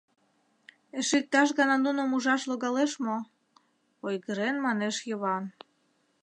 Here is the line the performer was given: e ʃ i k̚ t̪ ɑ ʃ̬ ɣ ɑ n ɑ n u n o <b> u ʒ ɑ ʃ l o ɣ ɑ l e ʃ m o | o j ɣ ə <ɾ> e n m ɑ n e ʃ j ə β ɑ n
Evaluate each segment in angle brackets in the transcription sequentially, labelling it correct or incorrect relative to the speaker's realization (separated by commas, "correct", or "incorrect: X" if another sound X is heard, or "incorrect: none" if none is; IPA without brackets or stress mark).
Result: incorrect: m, correct